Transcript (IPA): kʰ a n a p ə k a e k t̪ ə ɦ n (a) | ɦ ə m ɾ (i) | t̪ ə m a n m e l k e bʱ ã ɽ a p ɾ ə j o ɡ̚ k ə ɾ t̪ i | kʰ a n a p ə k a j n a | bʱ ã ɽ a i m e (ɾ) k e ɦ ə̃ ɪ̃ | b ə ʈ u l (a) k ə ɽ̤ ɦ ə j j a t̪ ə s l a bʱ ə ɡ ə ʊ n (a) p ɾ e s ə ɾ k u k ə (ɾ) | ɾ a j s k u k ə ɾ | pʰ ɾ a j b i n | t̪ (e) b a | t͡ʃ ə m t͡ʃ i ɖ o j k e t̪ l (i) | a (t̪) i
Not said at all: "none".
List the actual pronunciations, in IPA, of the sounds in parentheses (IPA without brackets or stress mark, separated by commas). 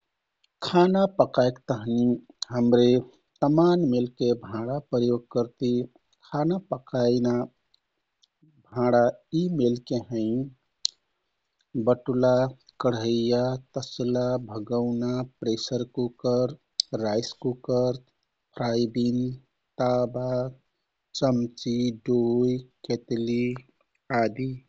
i, e, l, a, a, ɾ, a, i, d̪